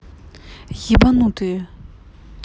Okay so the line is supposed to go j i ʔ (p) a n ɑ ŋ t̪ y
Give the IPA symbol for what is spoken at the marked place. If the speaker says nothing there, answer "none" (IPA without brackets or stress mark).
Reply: p